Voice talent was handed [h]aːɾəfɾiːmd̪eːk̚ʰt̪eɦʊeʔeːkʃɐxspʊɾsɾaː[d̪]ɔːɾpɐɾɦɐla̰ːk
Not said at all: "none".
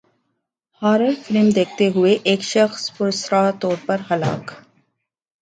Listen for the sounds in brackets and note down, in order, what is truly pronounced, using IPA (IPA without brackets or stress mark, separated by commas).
h, t̪